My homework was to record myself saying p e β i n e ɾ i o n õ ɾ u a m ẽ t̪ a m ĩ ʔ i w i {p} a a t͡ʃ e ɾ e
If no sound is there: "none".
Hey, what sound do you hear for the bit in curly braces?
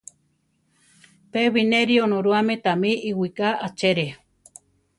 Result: k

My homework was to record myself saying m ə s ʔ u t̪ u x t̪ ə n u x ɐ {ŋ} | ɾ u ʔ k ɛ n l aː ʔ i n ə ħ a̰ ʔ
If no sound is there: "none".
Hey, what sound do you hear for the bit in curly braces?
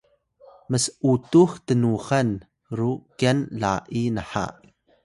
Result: n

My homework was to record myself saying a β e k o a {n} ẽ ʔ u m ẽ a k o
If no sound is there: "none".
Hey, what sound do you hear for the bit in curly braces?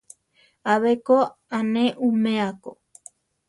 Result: n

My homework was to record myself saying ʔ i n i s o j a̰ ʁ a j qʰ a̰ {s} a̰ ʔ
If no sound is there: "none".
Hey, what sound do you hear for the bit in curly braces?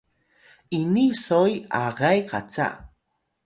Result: t͡s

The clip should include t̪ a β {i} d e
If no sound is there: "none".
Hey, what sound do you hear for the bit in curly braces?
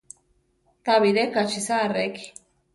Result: i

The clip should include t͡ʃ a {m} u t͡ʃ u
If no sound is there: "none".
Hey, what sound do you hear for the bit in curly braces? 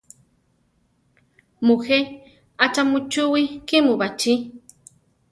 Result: m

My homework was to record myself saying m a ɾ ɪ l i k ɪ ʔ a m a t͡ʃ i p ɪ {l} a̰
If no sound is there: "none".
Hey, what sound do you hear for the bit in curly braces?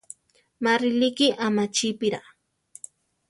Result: ɾ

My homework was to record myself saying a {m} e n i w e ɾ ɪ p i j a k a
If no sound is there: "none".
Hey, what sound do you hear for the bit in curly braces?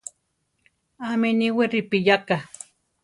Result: m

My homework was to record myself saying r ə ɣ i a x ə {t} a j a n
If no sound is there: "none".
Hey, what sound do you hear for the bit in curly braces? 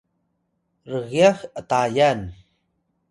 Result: t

